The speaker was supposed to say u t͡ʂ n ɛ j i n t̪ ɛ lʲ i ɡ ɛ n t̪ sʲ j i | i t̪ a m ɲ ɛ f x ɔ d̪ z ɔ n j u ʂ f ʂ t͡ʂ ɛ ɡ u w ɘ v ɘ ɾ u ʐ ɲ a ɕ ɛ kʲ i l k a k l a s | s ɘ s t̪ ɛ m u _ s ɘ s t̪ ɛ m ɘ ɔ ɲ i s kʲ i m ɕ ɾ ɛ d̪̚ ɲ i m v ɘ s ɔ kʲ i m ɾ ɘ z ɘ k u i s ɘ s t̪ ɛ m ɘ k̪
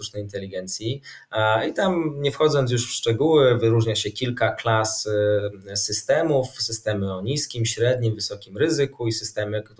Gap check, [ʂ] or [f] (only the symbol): f